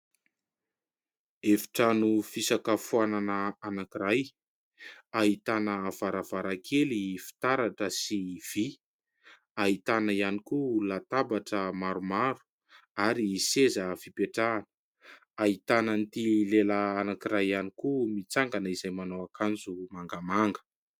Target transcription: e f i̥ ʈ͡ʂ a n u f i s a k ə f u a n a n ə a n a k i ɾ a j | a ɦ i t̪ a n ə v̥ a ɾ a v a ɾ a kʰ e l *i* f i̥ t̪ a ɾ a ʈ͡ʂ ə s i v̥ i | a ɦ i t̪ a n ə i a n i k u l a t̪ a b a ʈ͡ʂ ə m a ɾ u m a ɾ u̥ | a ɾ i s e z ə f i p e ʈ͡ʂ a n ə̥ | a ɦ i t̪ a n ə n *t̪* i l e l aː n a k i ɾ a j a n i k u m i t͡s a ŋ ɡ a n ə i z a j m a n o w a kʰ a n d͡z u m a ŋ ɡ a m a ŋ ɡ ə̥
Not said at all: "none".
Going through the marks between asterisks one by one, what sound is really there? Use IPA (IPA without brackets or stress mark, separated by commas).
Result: i, t̪